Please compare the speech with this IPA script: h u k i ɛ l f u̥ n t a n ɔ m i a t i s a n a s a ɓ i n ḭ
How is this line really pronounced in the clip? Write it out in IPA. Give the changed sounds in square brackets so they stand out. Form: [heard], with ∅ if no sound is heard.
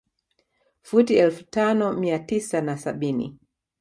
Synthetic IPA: [f] u [t] i ɛ l f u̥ [∅] t a n ɔ m i a t i s a n a s a ɓ i n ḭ